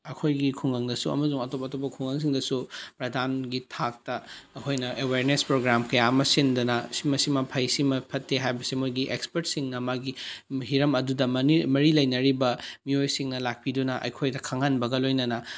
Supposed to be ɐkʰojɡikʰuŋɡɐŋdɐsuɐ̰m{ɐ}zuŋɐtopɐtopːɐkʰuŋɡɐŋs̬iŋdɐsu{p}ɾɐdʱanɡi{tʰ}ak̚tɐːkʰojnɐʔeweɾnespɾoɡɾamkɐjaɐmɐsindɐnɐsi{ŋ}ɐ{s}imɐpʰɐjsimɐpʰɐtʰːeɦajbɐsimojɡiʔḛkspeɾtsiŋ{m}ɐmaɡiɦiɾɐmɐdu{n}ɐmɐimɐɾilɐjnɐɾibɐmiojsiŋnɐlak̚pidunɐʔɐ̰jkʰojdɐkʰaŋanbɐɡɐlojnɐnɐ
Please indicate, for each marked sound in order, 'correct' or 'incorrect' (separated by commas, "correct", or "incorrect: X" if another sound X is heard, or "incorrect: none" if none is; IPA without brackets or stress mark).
correct, correct, correct, incorrect: m, correct, incorrect: n, incorrect: d